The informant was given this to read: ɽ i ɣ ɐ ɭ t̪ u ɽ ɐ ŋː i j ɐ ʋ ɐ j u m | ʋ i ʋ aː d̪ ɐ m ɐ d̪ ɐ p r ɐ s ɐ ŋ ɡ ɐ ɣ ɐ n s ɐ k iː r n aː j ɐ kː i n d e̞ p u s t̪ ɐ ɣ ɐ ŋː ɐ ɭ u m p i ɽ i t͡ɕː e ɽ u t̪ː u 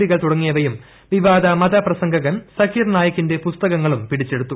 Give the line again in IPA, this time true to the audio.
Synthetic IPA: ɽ i ɣ ɐ ɭ t̪ u ɽ ɐ ŋː i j ɐ ʋ ɐ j u m | ʋ i ʋ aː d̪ ɐ m ɐ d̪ ɐ p r ɐ s ɐ ŋ ɡ ɐ ɣ ɐ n s ɐ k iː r n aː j ɐ kː i n d e̞ p u s t̪ ɐ ɣ ɐ ŋː ɐ ɭ u m p i ɽ i t͡ɕː e ɽ u t̪ː u